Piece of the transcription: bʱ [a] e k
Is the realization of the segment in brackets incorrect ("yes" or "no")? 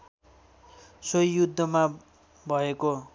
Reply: yes